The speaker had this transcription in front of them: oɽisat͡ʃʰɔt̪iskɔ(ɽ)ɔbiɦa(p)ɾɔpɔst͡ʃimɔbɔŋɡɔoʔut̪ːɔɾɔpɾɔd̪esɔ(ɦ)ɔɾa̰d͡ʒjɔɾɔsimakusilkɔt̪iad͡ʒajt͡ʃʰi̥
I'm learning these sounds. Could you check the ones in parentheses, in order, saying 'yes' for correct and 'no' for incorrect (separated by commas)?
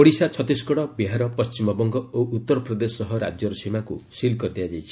yes, no, yes